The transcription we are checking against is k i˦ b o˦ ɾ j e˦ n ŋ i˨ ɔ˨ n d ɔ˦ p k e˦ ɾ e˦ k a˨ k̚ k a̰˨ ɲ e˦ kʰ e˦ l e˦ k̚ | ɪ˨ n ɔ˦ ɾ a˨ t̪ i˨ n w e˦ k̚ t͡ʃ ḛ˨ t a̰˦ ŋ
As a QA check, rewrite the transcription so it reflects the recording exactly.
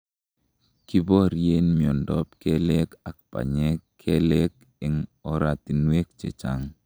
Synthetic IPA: k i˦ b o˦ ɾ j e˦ n m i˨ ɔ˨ n d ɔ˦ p k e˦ l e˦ k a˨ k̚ p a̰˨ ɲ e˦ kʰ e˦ l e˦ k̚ | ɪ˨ ŋ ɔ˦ ɾ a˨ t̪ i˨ n w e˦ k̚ t͡ʃ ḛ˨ t͡ʃ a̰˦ ŋ